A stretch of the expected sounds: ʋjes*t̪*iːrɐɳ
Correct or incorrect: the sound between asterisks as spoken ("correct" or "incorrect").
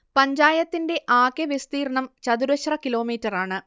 correct